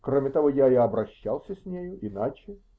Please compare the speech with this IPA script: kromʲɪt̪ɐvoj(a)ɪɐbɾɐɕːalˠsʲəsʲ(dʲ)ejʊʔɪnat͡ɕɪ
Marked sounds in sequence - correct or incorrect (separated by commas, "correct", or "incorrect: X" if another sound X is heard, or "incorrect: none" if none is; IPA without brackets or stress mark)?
correct, incorrect: nʲ